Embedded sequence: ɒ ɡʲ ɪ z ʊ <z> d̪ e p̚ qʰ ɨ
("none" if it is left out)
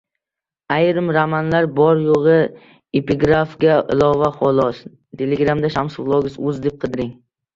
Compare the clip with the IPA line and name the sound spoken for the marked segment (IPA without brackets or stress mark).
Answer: z